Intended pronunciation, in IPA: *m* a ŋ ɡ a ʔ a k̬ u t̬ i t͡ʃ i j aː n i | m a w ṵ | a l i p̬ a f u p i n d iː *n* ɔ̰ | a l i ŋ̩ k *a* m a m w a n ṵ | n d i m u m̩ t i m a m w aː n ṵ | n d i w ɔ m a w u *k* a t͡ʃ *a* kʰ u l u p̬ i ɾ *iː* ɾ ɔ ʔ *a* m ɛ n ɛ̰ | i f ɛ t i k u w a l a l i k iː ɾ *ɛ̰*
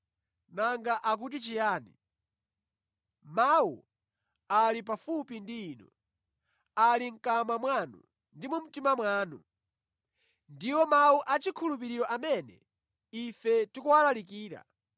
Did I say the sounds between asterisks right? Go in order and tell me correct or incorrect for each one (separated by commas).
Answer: incorrect, correct, correct, incorrect, incorrect, incorrect, correct, incorrect